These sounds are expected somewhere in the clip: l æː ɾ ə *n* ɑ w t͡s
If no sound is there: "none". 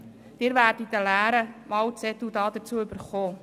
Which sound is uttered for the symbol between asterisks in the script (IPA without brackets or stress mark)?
m